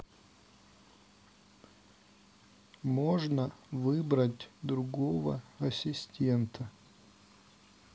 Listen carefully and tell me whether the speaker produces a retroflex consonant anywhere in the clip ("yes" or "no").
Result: yes